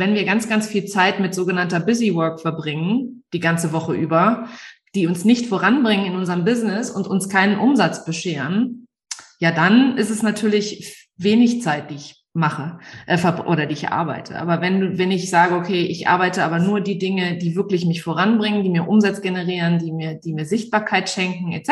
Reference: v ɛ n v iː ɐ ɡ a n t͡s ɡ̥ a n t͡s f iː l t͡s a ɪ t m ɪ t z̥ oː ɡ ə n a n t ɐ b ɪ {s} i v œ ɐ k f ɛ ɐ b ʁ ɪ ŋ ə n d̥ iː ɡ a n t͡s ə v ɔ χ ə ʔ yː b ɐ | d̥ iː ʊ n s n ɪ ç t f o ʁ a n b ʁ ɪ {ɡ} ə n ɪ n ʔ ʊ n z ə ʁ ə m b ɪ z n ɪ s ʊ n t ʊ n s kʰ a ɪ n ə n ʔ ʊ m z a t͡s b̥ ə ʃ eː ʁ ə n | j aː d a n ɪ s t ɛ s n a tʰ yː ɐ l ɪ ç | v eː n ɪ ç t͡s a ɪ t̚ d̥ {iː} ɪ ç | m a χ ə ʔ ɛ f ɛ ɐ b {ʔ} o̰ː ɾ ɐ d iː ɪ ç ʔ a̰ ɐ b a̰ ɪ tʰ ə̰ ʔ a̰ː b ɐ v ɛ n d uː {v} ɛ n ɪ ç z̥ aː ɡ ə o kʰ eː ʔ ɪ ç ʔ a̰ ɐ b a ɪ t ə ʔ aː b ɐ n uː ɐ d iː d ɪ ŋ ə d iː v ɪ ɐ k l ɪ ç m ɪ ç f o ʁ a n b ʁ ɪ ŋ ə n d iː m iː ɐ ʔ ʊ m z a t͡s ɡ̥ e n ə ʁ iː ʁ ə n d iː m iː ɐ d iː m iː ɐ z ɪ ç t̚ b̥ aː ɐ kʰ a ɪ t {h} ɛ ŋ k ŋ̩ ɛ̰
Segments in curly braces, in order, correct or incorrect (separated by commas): incorrect, incorrect, correct, correct, correct, incorrect